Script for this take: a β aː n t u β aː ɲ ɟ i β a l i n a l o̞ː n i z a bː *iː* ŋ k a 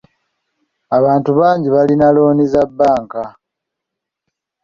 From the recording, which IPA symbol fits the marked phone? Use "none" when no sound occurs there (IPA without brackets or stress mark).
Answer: aː